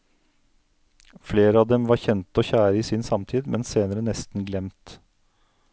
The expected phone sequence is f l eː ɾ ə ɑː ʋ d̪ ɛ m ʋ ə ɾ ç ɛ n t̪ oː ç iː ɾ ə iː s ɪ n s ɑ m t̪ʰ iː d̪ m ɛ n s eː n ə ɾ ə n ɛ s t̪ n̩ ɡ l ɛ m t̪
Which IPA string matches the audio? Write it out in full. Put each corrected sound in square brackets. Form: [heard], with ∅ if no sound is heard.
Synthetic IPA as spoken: f l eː ɾ ə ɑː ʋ d̪ ɛ m ʋ [ɑ] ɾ ç ɛ n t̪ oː ç [æː] ɾ ə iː s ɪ n s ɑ m t̪ʰ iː d̪ m ɛ n s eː n ə ɾ ə n ɛ s t̪ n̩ ɡ l ɛ m t̪